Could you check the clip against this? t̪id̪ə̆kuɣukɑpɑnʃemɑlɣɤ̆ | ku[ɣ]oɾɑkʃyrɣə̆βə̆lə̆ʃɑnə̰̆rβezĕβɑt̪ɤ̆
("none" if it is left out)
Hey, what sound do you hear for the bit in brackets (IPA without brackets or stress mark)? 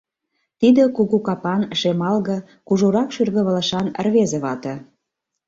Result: ʒ